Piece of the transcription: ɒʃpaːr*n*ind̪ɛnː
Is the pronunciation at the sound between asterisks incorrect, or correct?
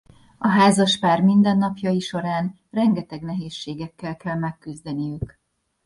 incorrect: m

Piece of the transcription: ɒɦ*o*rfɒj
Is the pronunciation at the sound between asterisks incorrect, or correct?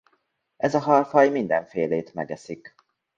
incorrect: ɒ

